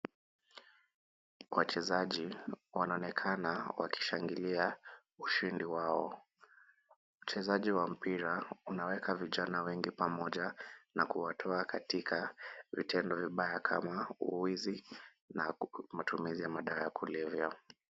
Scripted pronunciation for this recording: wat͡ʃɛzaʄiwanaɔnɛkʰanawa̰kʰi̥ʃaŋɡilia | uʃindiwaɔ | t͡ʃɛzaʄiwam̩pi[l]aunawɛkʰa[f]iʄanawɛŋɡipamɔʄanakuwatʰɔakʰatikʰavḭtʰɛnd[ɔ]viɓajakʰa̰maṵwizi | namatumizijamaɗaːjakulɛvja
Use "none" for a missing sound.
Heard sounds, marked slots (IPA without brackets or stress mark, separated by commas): ɾ, v, ɔ